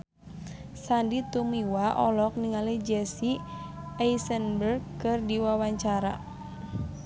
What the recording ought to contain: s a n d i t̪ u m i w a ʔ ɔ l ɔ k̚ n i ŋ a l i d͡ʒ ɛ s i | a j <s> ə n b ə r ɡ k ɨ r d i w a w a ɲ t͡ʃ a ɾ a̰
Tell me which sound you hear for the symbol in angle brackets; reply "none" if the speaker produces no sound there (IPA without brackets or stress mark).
s